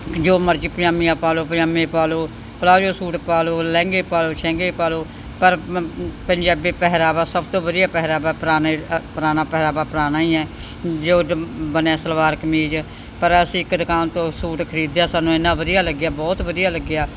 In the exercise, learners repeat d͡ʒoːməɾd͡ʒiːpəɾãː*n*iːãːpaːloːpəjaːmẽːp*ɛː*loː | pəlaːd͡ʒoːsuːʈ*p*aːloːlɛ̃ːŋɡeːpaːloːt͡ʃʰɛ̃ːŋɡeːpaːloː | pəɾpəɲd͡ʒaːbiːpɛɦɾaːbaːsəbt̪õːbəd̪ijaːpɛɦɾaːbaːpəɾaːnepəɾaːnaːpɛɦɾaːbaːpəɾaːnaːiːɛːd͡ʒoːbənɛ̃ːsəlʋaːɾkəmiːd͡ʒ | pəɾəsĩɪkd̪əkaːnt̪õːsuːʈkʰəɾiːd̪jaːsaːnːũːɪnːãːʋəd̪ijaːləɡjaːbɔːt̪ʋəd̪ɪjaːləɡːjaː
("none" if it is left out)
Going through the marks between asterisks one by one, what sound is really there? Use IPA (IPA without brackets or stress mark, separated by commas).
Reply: m, aː, p